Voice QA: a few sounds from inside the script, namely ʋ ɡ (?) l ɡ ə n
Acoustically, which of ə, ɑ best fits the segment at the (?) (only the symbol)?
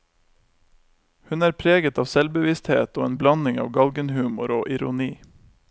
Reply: ɑ